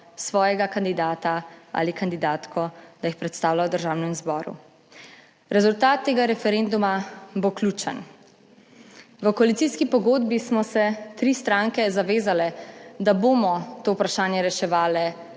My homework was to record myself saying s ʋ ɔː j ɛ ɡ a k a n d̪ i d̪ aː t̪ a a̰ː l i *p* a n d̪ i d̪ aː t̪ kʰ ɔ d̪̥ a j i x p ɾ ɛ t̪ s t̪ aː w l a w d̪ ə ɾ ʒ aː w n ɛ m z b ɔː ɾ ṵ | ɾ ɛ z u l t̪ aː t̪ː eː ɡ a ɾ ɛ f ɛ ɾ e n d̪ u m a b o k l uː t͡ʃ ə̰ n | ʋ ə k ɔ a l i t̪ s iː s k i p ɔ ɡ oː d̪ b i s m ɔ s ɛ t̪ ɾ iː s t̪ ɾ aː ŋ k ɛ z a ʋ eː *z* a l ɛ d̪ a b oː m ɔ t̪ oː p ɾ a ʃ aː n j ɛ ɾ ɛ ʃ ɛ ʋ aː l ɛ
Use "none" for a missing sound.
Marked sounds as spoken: k, z

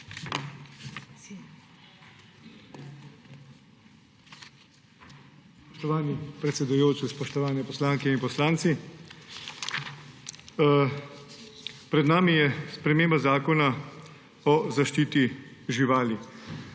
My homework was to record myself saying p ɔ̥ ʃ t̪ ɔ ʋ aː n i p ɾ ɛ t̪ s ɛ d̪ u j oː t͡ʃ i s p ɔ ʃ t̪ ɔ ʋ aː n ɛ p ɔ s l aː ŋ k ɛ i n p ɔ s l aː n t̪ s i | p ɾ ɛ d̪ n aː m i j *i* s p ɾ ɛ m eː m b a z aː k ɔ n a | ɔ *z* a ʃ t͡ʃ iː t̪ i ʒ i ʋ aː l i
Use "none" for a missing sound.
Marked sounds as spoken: ɛ, z

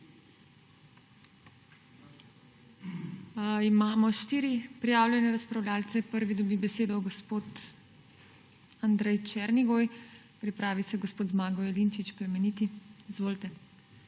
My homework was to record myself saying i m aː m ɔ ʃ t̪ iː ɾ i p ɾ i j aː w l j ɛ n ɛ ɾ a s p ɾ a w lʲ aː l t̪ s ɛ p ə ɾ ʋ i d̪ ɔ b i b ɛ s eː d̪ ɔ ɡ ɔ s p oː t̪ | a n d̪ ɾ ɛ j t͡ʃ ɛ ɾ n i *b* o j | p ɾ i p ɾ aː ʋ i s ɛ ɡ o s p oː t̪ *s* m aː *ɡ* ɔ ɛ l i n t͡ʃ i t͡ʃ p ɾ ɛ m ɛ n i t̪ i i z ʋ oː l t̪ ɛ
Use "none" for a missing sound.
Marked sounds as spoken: ɡ, z, ɡ

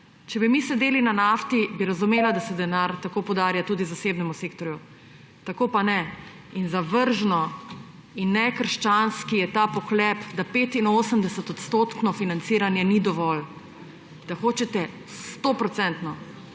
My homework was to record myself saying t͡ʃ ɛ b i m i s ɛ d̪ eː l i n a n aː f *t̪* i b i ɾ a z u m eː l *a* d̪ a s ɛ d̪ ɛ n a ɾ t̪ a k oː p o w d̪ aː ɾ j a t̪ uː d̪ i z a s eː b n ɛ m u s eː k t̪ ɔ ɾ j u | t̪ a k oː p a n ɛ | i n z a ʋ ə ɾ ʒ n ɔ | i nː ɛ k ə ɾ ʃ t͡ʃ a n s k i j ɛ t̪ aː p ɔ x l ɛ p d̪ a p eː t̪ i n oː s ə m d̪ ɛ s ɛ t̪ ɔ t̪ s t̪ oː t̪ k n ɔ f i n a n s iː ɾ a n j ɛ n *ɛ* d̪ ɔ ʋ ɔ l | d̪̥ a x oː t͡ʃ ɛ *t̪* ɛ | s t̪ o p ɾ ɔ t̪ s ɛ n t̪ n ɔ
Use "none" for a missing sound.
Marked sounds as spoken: t̪, a, i, t̪

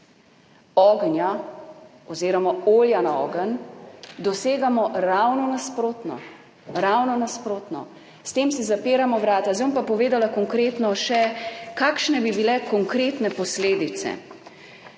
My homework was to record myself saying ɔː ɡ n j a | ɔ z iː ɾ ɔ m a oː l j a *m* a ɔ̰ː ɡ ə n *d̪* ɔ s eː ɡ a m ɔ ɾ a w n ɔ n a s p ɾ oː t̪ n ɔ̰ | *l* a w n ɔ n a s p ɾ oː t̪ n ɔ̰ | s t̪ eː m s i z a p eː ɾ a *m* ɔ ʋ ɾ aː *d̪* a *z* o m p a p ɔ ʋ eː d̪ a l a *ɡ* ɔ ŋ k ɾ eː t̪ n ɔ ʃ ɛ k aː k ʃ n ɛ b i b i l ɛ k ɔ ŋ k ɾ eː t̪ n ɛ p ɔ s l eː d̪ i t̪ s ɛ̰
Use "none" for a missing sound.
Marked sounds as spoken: n, d̪, ɾ, m, t̪, z, k

